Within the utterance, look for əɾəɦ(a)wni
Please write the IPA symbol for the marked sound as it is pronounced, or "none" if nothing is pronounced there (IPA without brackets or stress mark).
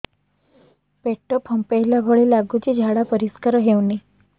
e